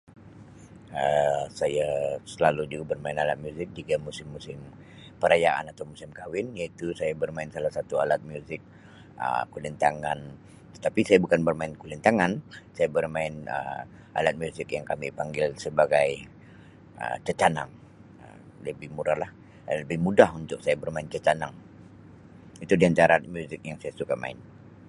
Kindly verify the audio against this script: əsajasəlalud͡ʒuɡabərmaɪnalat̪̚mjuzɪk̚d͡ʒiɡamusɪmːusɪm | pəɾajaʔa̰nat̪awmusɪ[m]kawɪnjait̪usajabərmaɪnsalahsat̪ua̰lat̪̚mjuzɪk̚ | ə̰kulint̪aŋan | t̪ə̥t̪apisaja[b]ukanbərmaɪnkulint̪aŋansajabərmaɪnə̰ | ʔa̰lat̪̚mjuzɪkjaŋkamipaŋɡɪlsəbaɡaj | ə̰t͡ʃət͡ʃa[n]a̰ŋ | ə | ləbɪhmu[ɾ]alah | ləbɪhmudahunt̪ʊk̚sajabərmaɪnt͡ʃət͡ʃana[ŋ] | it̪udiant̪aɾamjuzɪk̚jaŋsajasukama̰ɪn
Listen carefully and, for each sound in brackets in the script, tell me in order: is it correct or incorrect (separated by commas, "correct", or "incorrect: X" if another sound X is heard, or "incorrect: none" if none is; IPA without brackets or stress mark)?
correct, correct, correct, correct, correct